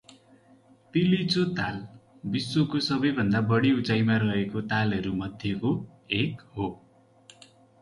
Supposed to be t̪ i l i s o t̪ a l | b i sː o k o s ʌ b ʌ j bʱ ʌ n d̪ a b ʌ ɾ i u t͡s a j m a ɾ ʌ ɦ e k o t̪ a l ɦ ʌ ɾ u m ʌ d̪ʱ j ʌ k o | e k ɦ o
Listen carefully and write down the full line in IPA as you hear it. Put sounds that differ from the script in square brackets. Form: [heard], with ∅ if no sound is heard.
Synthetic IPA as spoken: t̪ i l i [t͡s] o t̪ a l | b i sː o k o s ʌ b ʌ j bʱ ʌ n d̪ a b ʌ [ɽ] i u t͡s a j m a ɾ ʌ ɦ e k o t̪ a l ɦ ʌ ɾ u m ʌ d̪ʱ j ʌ k o | e k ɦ o